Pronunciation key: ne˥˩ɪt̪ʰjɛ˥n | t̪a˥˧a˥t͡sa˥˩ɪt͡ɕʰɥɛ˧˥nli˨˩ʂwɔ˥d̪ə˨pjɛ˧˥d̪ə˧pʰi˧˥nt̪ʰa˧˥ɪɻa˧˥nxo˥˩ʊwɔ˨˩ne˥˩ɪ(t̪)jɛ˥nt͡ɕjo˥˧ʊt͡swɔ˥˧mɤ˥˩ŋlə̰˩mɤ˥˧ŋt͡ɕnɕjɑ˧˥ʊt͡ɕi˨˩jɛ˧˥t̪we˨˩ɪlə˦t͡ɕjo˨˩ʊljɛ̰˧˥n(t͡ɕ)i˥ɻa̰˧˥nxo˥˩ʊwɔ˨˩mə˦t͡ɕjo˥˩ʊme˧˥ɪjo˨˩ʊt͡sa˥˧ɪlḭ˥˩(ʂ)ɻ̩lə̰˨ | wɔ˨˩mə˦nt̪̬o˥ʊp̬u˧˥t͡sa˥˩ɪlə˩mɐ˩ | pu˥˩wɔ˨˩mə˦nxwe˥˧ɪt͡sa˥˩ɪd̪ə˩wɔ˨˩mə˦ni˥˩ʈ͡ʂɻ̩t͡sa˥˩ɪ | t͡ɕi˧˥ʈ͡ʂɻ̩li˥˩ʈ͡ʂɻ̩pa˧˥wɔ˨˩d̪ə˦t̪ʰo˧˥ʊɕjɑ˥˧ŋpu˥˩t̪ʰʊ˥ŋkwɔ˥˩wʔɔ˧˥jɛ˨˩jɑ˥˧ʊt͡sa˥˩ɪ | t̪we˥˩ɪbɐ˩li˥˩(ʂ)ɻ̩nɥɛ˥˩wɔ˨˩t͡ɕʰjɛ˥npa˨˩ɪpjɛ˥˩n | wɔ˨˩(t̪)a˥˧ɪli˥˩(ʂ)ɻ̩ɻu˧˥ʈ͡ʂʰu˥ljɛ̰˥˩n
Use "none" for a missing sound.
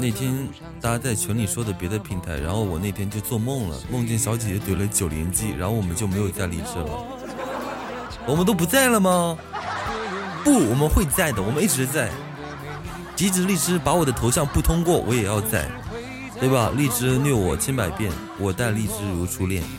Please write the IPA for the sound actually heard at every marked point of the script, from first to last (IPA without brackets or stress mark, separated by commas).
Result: t̪ʰ, t͡ɕ, ʈ͡ʂ, ʈ͡ʂ, t̪, ʈ͡ʂ